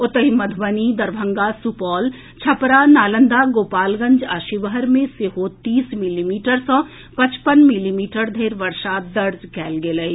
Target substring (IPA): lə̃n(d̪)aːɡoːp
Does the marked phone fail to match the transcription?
no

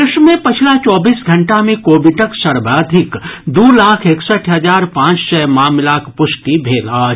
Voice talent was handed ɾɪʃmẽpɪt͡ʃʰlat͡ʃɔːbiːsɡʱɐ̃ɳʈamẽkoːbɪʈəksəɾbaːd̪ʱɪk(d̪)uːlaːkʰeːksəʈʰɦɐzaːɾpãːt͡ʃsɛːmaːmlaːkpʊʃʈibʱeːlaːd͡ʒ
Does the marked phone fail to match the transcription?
no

